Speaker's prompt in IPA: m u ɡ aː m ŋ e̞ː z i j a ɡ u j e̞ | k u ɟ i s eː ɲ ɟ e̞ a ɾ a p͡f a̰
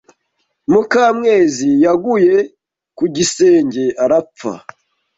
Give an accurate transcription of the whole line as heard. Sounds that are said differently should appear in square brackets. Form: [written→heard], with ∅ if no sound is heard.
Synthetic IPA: m u [ɡ→k] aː m ŋ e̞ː z i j a ɡ u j e̞ | k u ɟ i s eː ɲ ɟ e̞ a ɾ a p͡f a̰